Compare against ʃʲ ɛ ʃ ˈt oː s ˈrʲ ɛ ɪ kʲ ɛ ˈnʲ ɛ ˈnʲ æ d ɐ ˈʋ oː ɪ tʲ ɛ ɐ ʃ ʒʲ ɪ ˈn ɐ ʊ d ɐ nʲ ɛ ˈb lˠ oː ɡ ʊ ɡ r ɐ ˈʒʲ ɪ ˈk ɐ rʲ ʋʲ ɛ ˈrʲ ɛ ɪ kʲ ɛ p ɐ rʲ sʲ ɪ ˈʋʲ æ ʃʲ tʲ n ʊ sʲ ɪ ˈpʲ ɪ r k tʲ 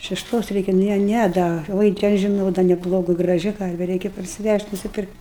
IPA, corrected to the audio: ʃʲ ɛ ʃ ˈt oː s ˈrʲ ɛ ɪ kʲ ɛ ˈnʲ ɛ ˈnʲ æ d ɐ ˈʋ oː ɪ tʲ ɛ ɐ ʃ ʒʲ ɪ ˈn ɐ ʊ d ɐ nʲ ɛ ˈb lˠ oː ɡ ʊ ɡ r ɐ ˈʒʲ ɪ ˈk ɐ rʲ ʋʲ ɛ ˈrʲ ɛ ɪ kʲ ɛ p ɐ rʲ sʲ ɪ ˈʋʲ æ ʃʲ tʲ n ʊ sʲ ɪ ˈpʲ ɪ r k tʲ